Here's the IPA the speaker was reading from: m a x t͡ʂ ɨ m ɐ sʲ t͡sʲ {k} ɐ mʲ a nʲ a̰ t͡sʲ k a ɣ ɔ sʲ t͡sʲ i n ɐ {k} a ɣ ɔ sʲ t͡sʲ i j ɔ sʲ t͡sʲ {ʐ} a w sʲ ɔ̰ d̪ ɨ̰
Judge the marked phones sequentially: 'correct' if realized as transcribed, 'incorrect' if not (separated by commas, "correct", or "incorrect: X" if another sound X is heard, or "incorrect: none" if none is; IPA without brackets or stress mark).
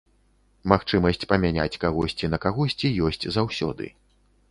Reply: incorrect: p, correct, incorrect: z